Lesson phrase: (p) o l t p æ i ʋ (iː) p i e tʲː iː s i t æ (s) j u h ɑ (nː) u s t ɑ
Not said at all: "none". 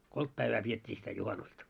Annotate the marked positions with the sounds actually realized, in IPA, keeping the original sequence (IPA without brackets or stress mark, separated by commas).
k, æː, none, n